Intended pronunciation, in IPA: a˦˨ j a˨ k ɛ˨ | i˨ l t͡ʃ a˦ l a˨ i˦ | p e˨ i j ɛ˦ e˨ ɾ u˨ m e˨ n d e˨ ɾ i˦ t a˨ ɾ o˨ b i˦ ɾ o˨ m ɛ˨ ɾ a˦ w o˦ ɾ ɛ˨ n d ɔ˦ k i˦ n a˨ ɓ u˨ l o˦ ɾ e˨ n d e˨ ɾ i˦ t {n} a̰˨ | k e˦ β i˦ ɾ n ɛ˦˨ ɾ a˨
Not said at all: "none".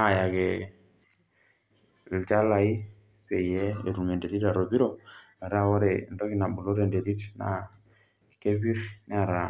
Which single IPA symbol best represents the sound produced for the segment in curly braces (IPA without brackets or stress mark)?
n